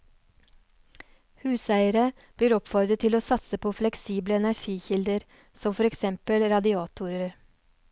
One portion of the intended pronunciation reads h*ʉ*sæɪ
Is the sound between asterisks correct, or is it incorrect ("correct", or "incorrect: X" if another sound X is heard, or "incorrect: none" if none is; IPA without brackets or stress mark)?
incorrect: ʉː